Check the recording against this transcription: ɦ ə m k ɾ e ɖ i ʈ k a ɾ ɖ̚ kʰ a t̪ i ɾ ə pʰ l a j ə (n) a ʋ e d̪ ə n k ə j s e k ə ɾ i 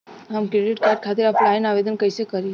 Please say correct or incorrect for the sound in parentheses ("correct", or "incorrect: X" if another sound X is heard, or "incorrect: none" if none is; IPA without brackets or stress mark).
correct